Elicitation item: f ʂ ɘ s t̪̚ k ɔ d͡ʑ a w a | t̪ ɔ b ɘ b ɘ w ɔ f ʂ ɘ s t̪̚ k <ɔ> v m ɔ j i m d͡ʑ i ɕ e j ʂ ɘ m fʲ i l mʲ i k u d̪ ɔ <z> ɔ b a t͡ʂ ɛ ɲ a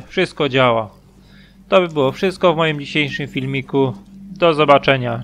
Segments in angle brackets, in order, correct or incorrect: correct, correct

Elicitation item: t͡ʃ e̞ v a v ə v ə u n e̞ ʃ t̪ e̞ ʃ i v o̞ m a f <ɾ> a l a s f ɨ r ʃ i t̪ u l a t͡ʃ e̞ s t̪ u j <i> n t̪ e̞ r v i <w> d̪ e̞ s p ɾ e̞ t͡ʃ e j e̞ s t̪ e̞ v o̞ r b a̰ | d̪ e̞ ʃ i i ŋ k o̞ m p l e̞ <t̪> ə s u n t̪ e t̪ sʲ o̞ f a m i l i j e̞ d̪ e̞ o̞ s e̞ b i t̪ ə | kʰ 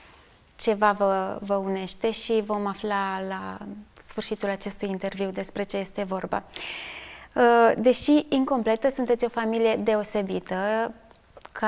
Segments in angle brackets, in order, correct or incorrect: incorrect: l, correct, correct, correct

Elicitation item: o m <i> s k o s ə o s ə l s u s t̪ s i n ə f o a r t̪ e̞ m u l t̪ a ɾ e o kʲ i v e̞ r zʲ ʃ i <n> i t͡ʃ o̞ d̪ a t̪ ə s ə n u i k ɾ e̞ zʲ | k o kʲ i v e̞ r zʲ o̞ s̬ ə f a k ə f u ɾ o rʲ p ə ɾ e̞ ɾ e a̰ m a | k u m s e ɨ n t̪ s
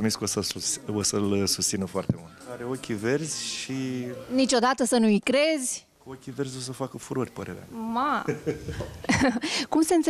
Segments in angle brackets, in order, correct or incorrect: correct, correct

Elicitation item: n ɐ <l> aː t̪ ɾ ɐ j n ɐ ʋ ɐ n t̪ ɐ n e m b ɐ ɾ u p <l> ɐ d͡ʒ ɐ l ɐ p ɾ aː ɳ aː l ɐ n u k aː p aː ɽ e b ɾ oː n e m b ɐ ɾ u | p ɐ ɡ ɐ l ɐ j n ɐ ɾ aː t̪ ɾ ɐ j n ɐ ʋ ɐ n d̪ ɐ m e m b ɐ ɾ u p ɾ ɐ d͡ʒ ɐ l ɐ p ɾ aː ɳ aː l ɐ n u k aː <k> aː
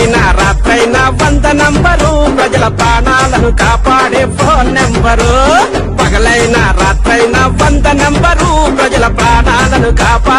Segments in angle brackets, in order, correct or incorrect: incorrect: ɾ, incorrect: ɾ, incorrect: p

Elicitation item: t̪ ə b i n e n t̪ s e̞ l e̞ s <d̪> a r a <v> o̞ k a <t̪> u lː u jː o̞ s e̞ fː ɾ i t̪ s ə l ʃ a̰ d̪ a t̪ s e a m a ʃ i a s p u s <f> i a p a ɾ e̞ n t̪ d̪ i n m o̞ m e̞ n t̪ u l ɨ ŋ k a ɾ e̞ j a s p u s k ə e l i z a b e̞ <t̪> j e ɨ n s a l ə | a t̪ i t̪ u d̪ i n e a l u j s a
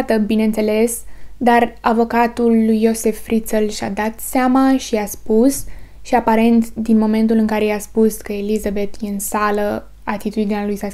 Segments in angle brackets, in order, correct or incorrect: correct, correct, correct, incorrect: ʃ, correct

